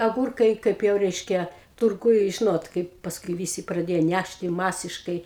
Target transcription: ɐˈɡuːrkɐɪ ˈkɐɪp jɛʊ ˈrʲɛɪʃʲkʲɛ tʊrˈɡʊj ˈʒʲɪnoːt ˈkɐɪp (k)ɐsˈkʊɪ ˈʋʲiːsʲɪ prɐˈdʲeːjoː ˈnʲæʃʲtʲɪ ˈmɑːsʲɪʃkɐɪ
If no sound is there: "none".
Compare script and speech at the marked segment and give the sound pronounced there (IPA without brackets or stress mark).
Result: p